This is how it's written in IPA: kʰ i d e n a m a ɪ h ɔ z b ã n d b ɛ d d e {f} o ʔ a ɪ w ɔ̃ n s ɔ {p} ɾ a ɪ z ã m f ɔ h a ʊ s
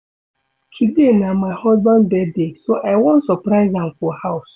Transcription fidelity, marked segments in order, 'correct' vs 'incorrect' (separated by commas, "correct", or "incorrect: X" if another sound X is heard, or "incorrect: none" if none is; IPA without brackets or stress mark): incorrect: s, correct